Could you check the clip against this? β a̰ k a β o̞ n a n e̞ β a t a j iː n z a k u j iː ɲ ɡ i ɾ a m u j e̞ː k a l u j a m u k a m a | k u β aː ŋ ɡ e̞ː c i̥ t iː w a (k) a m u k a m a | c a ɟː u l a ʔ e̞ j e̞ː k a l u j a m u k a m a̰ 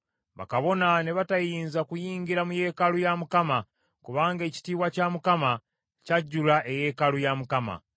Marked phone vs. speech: incorrect: c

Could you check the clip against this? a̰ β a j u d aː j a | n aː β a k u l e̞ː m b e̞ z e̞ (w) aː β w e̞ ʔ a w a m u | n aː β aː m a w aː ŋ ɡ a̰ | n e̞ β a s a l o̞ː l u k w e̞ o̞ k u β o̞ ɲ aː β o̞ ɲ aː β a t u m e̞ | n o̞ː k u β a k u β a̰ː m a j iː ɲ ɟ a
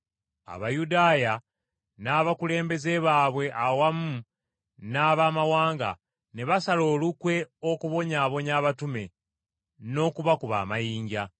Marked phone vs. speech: incorrect: β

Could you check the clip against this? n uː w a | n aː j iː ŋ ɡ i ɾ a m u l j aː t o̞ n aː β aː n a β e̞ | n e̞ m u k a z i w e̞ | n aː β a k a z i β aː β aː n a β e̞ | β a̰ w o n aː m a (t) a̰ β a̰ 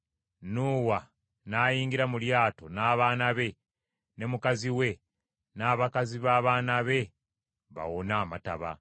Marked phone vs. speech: correct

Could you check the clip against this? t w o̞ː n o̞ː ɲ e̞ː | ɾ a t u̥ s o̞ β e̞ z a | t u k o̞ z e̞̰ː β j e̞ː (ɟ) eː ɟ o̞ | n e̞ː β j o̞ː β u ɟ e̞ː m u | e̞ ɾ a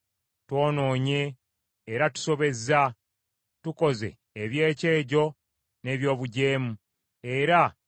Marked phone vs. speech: incorrect: c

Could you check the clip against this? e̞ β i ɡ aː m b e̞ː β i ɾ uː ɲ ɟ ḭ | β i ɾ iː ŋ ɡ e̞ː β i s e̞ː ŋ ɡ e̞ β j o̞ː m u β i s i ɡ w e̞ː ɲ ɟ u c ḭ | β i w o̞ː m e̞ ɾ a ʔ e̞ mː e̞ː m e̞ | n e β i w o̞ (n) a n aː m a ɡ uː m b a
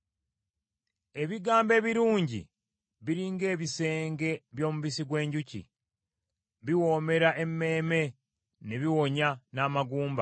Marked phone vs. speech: incorrect: ɲ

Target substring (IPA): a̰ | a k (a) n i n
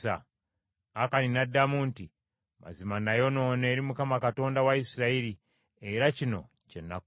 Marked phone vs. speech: correct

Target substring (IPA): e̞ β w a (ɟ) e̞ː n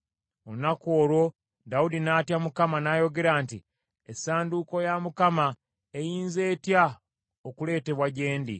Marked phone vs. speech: correct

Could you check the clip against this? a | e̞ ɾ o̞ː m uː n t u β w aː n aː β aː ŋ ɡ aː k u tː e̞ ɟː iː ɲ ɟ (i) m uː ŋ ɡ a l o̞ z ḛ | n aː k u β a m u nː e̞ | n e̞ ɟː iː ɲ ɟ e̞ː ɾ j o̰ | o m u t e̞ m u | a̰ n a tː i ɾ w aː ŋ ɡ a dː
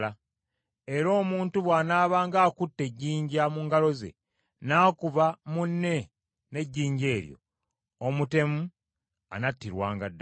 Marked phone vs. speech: incorrect: a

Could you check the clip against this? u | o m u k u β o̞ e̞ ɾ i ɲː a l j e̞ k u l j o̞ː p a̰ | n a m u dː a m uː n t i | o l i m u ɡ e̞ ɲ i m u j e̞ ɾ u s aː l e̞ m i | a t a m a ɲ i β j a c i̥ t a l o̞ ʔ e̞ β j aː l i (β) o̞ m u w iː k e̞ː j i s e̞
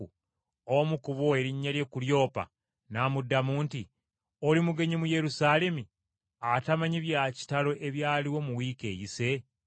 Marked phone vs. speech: incorrect: w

